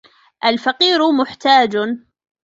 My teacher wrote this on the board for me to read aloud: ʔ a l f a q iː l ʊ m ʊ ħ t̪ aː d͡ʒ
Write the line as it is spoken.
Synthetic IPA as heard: ʔ a l f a q iː ɾ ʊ m ʊ ħ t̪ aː d͡ʒ

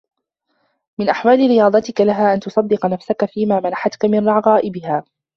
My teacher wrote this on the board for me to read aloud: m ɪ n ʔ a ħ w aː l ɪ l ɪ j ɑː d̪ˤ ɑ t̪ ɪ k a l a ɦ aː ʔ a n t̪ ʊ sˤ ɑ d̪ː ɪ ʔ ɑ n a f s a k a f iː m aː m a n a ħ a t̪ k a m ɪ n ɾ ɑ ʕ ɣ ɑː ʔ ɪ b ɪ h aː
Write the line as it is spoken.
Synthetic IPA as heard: m ɪ n ʔ a ħ w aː l ɪ ɾ ɪ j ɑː d̪ˤ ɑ t̪ ɪ k a l a ɦ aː ʔ a n t̪ ʊ sˤ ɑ d̪ː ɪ q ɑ n a f s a k a f iː m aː m a n a ħ a t̪ k a m ɪ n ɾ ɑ ʕ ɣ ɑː ʔ ɪ b ɪ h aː

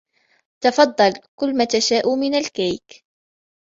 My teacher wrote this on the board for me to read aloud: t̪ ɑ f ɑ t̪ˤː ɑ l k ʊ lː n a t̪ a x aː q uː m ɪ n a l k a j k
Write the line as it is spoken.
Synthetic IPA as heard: t̪ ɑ f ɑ d̪ˤː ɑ l k ʊ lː m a t̪ a ʃ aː ʔ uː m ɪ n a l k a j k

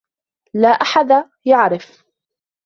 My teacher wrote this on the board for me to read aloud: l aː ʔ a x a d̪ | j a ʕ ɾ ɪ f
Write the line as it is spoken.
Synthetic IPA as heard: l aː ʔ a ħ a d̪ | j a ʕ ɾ ɪ f

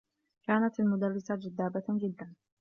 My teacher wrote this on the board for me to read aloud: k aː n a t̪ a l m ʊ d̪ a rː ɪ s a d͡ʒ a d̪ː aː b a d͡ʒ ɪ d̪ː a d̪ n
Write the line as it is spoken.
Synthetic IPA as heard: k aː n a t̪ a l m ʊ d̪ a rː ɪ s a d͡ʒ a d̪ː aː b a d͡ʒ ɪ d̪ː a n

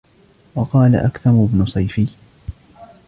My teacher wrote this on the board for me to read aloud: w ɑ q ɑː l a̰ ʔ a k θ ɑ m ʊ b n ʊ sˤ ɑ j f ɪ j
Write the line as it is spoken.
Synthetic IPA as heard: w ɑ q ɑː l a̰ ʔ a k θ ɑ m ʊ b n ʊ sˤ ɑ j f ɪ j

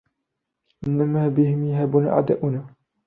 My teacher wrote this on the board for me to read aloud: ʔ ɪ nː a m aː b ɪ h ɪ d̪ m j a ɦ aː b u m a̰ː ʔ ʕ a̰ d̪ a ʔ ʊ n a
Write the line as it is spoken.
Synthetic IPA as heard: ʔ ɪ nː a m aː b ɪ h ɪ m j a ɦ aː b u n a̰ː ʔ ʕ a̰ d̪ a ʔ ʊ n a

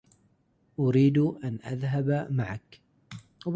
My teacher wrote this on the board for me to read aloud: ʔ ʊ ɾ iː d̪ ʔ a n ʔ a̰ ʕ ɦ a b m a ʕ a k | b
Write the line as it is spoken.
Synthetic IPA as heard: ʔ ʊ ɾ iː d̪ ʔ a n ʔ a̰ ð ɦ a b m a ʕ a k | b

